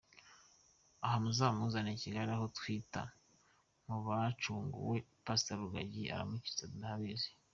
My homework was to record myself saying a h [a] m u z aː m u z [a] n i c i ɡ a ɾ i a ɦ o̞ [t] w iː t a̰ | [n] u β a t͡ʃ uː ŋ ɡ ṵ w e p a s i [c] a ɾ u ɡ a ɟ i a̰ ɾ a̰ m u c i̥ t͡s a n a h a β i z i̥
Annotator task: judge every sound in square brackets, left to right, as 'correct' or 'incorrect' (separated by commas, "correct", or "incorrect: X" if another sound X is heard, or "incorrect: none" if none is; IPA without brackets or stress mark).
correct, correct, correct, incorrect: m, incorrect: t